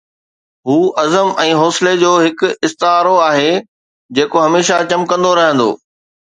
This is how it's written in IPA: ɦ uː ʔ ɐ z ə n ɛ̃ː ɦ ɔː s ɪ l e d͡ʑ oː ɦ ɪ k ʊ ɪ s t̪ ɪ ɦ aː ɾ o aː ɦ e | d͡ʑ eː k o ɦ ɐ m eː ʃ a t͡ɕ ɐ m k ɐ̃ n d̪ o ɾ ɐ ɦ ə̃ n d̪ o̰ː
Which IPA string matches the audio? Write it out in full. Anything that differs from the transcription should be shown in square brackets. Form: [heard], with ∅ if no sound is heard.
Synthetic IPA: ɦ uː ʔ ɐ z ə [m] ɛ̃ː ɦ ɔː s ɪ l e d͡ʑ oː ɦ ɪ k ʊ ɪ s t̪ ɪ ɦ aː ɾ o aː ɦ e | d͡ʑ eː k o ɦ ɐ m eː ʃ a t͡ɕ ɐ m k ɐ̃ n d̪ o ɾ ɐ ɦ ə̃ n d̪ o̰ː